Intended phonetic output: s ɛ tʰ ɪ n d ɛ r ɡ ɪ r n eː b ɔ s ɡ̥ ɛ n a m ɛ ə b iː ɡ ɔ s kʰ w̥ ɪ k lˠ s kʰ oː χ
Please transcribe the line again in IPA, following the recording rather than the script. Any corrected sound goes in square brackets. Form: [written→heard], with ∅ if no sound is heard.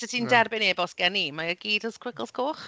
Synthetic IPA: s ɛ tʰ [ɪ→i] n d ɛ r [ɡ→b] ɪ [r→∅] n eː b ɔ s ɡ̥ ɛ n [a→i] m [ɛ→a] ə [b→ɡ] iː [ɡ→d] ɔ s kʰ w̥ ɪ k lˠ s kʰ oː χ